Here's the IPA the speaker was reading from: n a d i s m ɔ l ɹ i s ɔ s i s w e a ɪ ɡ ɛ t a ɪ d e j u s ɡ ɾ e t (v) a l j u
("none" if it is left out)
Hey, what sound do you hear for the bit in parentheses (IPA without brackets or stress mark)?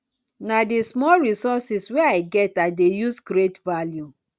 v